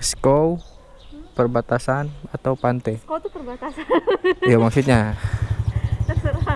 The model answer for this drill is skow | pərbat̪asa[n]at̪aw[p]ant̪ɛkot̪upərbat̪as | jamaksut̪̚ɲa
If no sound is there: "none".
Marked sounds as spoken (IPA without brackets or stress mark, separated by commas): n, p